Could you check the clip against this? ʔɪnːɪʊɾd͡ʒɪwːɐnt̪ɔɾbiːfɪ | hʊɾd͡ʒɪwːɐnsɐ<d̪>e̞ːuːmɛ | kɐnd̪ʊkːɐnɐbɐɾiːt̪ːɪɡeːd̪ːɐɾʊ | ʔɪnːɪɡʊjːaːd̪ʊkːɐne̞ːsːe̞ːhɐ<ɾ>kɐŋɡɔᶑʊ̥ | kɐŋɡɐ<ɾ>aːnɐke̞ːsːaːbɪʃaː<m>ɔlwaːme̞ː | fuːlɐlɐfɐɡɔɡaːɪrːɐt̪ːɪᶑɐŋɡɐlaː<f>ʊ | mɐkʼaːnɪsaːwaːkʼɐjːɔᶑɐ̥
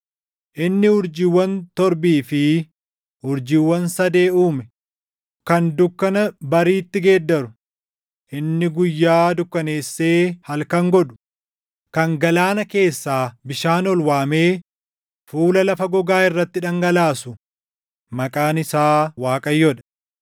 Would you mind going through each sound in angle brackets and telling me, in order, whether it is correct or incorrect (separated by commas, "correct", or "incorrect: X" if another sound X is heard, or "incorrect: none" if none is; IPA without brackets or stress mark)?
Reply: correct, incorrect: l, incorrect: l, incorrect: n, incorrect: s